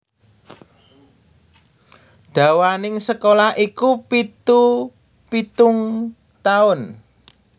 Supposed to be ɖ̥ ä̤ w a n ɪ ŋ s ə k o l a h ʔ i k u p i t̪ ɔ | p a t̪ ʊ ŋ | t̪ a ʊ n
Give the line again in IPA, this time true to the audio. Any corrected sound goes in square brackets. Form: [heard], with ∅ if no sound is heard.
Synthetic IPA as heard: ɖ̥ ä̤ w a n ɪ ŋ s ə k o l a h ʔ i k u p i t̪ [u] | p [i] t̪ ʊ ŋ | t̪ a ʊ n